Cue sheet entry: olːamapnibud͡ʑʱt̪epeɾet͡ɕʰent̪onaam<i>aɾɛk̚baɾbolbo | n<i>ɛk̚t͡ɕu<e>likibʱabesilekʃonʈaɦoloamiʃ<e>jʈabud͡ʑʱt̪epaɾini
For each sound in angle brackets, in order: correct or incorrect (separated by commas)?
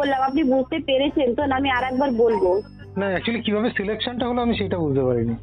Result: correct, incorrect, incorrect, correct